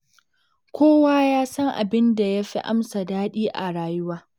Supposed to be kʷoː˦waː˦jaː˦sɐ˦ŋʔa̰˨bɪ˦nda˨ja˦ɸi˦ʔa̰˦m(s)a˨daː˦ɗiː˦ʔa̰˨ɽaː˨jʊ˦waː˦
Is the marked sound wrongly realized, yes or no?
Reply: no